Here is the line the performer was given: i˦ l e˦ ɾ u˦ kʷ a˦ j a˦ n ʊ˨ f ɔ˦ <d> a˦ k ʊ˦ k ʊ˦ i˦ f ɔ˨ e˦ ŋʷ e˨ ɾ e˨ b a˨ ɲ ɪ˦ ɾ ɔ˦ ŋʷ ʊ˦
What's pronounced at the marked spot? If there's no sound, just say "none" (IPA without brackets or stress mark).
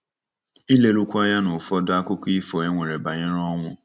d